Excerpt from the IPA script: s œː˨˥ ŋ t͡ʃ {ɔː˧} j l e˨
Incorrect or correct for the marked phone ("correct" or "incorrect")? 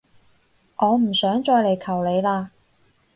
correct